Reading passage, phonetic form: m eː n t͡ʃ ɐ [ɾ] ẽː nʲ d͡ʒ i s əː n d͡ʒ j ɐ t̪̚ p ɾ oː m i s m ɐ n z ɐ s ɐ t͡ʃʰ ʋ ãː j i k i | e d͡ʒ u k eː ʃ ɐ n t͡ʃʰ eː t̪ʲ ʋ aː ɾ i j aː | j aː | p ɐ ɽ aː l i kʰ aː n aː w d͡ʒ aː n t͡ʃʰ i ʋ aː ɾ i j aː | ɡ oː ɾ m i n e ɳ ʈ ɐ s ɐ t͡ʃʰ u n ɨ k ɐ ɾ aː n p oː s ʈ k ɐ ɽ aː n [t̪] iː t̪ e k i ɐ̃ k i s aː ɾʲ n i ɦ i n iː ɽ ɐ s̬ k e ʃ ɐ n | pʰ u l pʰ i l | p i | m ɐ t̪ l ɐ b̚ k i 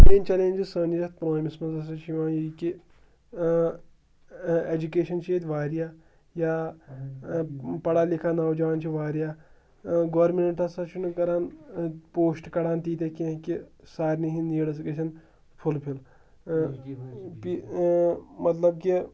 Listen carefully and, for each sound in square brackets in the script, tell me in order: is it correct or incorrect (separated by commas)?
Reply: incorrect, correct